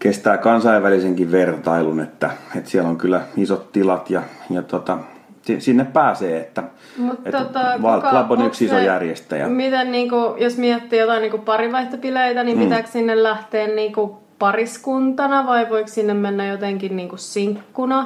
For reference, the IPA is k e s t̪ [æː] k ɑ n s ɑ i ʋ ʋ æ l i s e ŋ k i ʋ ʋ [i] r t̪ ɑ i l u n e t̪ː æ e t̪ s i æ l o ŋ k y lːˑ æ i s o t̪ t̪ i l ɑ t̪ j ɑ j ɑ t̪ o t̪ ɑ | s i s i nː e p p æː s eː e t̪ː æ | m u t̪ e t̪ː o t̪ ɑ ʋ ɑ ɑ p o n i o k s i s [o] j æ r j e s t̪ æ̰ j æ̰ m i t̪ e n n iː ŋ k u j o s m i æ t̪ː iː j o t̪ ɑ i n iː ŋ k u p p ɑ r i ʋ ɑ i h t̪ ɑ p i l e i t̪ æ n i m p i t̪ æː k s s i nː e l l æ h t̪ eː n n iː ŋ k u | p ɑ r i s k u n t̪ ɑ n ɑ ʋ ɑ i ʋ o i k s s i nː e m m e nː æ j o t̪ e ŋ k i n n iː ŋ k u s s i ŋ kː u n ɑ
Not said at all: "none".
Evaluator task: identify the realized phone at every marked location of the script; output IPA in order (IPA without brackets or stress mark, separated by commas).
æː, e, o